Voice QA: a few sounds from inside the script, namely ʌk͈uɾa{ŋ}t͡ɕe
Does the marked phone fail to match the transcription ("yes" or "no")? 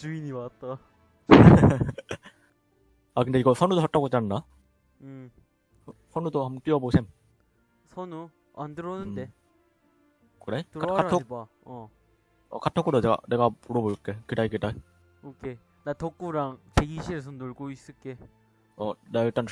no